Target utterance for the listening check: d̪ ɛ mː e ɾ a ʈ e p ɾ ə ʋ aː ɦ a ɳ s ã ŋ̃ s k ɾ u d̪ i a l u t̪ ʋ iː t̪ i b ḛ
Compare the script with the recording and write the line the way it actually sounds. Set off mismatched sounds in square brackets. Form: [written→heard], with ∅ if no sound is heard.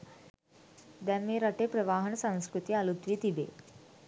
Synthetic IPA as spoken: d̪ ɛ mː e ɾ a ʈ e p ɾ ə ʋ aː ɦ [a→ə] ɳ s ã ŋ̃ s k ɾ u [d̪→t̪] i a l u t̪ ʋ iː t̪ i b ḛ